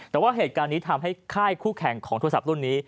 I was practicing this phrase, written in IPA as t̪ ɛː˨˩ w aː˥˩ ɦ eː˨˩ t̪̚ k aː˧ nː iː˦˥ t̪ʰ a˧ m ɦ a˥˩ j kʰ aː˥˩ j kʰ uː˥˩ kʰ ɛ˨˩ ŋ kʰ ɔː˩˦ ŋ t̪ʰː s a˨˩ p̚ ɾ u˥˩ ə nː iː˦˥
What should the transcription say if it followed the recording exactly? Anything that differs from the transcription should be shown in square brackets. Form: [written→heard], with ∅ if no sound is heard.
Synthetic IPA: t̪ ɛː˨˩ w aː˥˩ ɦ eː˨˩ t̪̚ k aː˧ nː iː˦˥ t̪ʰ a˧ m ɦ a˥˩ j kʰ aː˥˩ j kʰ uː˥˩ kʰ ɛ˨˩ ŋ kʰ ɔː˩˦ ŋ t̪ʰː s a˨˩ p̚ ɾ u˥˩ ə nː iː˦˥